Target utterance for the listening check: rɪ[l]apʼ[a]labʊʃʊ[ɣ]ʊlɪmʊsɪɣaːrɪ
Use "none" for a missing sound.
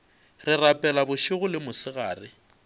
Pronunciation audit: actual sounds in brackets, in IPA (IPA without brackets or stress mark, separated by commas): r, ɛ, ɣ